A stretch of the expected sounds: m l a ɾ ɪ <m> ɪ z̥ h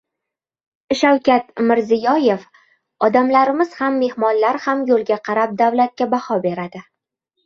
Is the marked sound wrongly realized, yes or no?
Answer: no